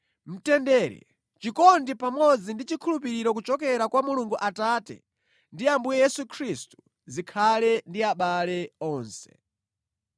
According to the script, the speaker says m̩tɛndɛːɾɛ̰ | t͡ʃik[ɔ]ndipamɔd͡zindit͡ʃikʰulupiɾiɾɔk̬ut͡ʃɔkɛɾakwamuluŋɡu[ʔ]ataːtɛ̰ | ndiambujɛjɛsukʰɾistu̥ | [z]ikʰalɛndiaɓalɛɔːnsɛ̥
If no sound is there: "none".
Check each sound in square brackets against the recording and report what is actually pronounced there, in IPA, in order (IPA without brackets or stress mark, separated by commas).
ɔ, ʔ, z